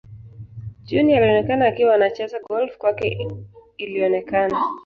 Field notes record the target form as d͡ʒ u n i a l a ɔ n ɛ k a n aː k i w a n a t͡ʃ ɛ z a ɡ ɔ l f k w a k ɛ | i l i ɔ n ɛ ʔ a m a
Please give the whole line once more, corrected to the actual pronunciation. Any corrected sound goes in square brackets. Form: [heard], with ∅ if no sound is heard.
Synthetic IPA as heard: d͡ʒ u n i a l [i] ɔ n ɛ k a n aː k i w a n a t͡ʃ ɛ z a ɡ ɔ l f k w a k ɛ | i l i ɔ n ɛ [k] a [n] a